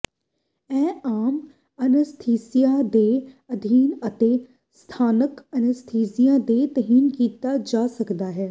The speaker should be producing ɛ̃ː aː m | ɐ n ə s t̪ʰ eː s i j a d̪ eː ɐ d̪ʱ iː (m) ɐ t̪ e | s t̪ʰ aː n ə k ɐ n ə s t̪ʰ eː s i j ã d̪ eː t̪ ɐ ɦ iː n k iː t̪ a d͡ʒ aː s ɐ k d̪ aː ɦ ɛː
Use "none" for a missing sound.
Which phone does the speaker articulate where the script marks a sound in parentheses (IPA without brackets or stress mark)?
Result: n